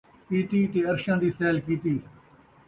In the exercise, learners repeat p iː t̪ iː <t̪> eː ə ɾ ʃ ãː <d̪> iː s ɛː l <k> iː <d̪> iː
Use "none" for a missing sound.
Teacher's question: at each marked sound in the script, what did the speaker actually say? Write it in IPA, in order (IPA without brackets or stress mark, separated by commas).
t̪, d̪, k, t̪